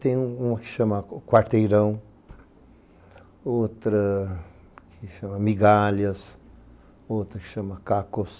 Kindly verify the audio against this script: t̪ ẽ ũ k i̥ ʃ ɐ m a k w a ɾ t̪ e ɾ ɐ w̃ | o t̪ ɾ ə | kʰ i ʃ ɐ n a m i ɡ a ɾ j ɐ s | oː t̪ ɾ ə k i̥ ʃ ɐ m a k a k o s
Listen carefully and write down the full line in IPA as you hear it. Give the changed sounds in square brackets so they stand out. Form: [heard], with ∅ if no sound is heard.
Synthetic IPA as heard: t̪ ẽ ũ k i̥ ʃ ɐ m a k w a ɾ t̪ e ɾ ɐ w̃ | o t̪ ɾ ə | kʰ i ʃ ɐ [m] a m i ɡ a [l] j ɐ s | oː t̪ ɾ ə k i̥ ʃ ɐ m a k a k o s